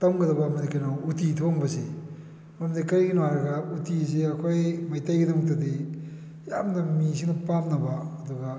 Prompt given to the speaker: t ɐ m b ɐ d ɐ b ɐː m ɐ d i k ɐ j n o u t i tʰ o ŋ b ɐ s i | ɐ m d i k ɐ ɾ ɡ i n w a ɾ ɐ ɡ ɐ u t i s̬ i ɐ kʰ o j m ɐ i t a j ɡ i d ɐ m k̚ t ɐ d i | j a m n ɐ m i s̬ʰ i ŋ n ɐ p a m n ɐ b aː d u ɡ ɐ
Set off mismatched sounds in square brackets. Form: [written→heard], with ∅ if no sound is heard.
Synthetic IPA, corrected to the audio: t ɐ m [b→ɡ] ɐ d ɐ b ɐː m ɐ d i k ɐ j n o u t i tʰ o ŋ b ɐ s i | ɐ m d i k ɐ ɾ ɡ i n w a ɾ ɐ ɡ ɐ u t i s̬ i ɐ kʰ o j m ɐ [i→j] t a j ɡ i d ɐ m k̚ t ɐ d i | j a m n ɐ m i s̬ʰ i ŋ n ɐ p a m n ɐ b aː d u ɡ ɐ